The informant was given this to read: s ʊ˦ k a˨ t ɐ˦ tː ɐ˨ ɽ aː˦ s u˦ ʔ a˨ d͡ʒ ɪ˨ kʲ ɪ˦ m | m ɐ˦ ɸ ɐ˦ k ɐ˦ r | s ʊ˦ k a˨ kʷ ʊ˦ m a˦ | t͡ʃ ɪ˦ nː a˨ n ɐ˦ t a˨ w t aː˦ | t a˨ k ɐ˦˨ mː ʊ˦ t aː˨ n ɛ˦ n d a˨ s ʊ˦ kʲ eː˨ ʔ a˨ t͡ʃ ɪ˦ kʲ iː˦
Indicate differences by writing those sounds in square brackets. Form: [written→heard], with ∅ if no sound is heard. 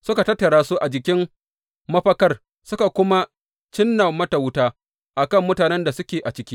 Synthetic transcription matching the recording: s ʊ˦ k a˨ t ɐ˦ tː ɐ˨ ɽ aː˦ s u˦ ʔ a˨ d͡ʒ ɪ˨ kʲ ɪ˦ m | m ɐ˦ ɸ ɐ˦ k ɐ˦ r | s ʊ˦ k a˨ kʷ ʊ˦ m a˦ | t͡ʃ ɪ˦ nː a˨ [n→m] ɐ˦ t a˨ w t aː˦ | [t→ʔ] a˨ k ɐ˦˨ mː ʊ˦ t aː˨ n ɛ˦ n d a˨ s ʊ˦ kʲ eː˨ ʔ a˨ t͡ʃ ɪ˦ kʲ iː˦